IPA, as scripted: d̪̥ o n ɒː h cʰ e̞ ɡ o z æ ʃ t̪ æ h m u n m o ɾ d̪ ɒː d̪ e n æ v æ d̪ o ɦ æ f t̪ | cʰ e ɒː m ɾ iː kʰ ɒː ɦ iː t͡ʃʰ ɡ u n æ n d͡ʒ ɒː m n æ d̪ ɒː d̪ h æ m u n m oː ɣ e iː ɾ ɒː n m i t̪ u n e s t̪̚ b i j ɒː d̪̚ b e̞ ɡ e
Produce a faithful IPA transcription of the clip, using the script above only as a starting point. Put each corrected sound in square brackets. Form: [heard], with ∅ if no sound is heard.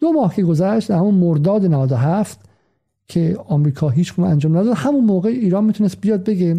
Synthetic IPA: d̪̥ o [m] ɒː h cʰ e̞ ɡ o z æ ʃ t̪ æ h m u n m o ɾ d̪ ɒː d̪ e n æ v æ d̪ o ɦ æ f t̪ | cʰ e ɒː m ɾ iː kʰ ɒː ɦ iː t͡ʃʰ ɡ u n æ n d͡ʒ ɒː m n æ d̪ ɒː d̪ h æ m u n m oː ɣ e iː ɾ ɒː n m i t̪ u n e s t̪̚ b i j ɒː d̪̚ b e̞ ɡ e